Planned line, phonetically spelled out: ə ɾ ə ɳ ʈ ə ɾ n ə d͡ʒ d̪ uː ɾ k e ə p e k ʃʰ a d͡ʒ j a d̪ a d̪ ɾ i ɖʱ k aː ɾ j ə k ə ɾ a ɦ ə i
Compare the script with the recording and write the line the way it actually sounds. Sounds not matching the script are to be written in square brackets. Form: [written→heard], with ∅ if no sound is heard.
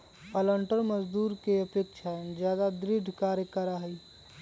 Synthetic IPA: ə [ɾ→l] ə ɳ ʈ ə ɾ [n→m] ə d͡ʒ d̪ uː ɾ k e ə p e k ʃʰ a d͡ʒ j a d̪ a d̪ ɾ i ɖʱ k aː ɾ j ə k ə ɾ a ɦ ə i